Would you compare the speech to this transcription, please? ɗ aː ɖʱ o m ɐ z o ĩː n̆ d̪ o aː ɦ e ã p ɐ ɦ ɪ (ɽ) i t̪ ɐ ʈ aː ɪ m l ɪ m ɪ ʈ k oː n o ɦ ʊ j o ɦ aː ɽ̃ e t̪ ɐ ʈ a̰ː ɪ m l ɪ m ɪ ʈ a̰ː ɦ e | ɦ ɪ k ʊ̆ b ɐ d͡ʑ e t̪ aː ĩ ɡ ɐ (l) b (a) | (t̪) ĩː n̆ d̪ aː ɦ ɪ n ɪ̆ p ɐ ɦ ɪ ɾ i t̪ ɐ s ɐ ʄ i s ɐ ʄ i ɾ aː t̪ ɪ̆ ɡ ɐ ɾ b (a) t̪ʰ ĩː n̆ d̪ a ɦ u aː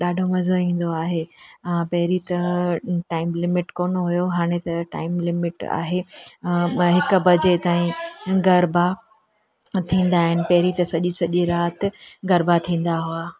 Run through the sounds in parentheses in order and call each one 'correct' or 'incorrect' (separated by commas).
incorrect, incorrect, correct, incorrect, correct